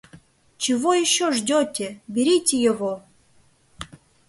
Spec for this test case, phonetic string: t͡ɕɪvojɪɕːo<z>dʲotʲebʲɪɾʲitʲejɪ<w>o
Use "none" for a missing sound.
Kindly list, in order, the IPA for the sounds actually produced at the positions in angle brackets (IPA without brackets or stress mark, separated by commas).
ʐ, v